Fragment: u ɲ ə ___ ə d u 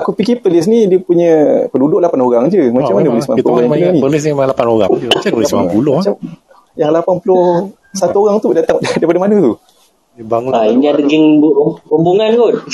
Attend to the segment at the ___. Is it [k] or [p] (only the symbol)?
p